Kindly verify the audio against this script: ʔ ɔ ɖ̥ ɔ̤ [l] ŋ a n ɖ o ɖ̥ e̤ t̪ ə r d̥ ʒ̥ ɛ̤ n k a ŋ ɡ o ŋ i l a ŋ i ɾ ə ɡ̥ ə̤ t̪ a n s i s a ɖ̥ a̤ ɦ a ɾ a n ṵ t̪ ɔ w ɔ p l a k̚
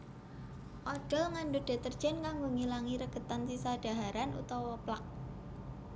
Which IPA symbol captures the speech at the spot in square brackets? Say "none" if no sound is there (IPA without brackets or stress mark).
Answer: l